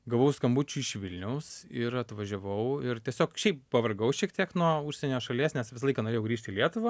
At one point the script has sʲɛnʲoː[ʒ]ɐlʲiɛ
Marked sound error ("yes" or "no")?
yes